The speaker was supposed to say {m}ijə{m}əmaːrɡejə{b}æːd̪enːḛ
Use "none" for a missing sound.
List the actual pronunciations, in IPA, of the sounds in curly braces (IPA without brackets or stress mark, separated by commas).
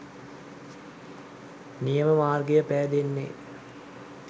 n, m, p